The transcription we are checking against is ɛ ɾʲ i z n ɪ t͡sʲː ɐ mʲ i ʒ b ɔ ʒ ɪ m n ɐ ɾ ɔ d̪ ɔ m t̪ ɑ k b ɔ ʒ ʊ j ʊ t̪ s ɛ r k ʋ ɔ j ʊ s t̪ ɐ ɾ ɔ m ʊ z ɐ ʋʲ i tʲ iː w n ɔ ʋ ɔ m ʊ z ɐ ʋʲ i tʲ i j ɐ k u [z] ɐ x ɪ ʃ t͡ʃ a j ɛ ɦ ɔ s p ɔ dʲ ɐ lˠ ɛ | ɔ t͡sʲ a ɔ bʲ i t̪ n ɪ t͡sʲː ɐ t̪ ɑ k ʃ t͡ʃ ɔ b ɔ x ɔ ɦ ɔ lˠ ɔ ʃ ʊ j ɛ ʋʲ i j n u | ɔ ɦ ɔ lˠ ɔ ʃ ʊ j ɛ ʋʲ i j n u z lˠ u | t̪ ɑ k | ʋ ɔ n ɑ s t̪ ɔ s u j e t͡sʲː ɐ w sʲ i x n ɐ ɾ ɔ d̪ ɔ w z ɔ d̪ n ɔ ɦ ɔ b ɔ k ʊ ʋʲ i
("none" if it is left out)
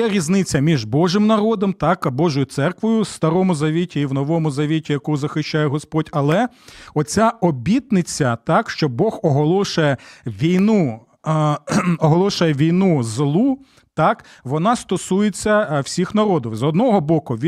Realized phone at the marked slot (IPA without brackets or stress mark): z